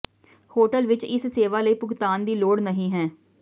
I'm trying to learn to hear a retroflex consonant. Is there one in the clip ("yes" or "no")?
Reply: yes